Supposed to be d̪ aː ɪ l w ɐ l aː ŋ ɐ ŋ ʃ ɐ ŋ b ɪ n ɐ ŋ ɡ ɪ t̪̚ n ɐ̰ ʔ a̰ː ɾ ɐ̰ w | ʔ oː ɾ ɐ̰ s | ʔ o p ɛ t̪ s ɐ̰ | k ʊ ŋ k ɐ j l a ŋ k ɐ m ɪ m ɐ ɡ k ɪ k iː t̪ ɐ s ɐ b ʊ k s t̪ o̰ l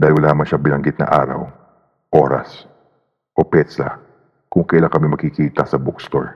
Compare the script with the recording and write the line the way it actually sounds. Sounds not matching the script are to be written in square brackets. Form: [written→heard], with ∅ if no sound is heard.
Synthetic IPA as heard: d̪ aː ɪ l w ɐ l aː [ŋ→m] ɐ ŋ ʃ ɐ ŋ b ɪ n ɐ ŋ ɡ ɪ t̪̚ n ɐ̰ ʔ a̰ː ɾ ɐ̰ w | ʔ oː ɾ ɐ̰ s | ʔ o p ɛ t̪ s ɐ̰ | k ʊ ŋ k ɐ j l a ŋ k ɐ m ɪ m ɐ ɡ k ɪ k iː t̪ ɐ s ɐ b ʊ k s t̪ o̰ [l→ɹ]